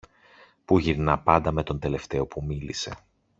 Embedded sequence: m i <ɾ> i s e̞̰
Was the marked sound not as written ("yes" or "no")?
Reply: yes